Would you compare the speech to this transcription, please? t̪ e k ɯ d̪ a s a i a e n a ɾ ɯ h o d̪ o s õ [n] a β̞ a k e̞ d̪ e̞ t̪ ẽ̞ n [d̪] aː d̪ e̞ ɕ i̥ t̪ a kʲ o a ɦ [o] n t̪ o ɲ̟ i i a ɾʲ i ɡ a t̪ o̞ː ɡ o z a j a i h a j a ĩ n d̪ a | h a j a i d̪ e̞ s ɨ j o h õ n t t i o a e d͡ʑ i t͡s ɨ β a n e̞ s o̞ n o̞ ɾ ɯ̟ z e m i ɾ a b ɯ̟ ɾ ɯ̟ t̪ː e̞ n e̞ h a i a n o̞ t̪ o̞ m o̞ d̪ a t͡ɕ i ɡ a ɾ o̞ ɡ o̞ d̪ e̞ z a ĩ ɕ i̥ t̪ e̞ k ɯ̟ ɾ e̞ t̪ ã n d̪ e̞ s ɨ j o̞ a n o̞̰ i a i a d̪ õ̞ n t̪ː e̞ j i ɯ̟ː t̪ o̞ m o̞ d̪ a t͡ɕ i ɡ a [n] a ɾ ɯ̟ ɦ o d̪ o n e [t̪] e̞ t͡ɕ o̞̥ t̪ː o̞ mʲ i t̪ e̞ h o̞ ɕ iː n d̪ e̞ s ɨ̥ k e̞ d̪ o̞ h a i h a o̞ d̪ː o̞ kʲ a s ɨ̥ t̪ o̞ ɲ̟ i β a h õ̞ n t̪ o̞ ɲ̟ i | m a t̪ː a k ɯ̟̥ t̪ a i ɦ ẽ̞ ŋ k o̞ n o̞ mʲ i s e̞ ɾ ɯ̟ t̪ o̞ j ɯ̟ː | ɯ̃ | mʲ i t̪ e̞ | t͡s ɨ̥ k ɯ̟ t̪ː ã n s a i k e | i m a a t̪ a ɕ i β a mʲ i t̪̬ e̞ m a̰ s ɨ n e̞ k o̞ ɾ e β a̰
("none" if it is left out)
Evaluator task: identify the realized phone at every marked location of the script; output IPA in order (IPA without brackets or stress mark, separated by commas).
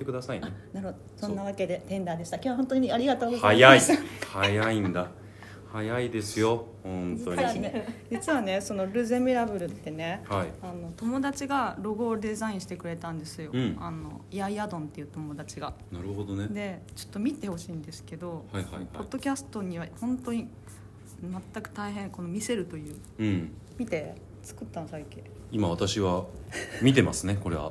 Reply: nː, d̪, õ, n, d̪